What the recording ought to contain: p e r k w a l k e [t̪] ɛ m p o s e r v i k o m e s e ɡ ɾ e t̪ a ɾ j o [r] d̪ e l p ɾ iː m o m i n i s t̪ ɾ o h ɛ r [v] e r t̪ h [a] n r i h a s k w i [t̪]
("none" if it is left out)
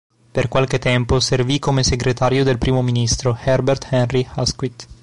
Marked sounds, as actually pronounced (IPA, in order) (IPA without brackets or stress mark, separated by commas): t̪, none, b, ɛ, t̪